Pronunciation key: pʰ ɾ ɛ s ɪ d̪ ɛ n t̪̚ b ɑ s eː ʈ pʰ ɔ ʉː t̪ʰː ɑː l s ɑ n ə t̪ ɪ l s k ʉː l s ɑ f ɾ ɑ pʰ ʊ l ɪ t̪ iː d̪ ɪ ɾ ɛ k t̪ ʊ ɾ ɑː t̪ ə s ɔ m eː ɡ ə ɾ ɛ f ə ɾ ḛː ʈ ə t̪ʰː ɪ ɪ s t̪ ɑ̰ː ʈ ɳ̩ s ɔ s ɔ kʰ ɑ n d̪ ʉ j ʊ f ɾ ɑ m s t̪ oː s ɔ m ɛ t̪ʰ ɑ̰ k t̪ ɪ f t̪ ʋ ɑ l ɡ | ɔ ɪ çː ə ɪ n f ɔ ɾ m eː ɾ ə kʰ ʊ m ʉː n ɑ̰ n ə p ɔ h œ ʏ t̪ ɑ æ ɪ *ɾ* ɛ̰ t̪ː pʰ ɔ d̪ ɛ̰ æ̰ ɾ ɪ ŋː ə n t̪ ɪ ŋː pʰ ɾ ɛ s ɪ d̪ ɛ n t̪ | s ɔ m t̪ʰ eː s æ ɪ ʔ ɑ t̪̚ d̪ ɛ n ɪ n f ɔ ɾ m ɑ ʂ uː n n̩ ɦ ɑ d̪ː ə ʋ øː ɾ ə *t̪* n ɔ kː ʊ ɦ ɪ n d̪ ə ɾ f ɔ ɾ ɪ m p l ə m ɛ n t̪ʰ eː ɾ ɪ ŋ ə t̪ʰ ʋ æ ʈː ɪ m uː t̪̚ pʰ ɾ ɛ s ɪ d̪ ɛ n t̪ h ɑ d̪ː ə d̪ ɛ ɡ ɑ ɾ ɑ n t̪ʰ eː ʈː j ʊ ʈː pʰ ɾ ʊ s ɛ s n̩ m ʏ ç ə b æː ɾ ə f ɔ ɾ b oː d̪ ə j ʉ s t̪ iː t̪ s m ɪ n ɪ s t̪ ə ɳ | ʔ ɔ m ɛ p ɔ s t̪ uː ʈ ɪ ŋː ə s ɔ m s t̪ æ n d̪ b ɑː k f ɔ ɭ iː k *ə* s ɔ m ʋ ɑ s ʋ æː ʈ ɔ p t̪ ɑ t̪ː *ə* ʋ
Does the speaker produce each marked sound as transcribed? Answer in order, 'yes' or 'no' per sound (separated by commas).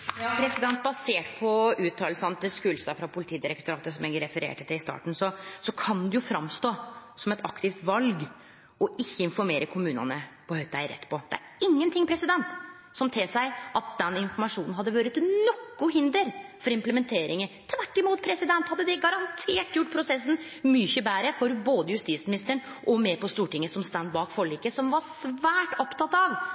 yes, yes, yes, no